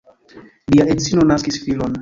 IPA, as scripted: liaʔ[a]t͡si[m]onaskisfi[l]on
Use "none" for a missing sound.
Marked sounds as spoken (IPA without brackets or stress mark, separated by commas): e, n, l